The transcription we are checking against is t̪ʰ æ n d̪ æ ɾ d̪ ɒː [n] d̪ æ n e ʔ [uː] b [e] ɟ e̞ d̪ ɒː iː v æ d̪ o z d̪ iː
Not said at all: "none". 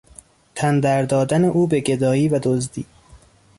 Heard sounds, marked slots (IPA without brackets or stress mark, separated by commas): none, uː, e